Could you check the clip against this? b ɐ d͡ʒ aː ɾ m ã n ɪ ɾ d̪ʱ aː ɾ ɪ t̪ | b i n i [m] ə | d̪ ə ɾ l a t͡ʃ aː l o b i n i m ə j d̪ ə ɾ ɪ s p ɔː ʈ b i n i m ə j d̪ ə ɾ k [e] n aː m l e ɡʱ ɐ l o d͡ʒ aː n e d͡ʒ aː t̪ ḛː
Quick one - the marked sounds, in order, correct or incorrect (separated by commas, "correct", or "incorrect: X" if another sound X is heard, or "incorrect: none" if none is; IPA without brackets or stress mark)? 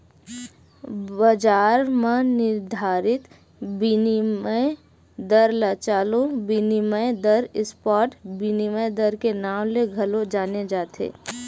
correct, correct